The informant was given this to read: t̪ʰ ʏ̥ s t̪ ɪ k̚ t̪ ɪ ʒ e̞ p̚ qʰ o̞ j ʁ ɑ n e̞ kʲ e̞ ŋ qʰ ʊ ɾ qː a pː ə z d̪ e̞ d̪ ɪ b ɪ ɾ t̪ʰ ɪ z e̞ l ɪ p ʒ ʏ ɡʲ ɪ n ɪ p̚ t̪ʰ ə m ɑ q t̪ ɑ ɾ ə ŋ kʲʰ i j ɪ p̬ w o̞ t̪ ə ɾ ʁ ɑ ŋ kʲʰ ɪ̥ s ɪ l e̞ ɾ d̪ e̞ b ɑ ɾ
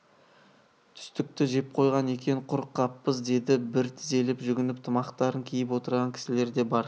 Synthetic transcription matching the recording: t̪ʰ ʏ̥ s t̪ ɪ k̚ t̪ ɪ ʒ e̞ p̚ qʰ o̞ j ʁ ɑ n e̞ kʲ e̞ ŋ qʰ ʊ ɾ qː ɑ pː ə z d̪ e̞ d̪ ɪ b ɪ ɾ t̪ʰ ɪ z e̞ l ɪ p ʒ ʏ ɡʲ ɪ n ɪ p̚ t̪ʰ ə m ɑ q t̪ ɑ ɾ ə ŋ kʲʰ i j ɪ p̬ w o̞ t̪ ə ɾ ʁ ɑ ŋ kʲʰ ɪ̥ s ɪ l e̞ ɾ d̪ e̞ b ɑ ɾ